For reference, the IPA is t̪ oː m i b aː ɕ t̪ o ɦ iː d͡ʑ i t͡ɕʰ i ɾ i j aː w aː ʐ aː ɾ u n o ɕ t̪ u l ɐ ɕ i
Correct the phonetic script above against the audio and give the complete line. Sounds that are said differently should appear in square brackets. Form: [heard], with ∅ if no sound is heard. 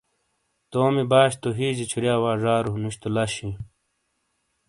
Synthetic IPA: t̪ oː m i b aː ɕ t̪ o ɦ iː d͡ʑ i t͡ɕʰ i ɾ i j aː w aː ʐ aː ɾ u n [u] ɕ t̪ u l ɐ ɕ i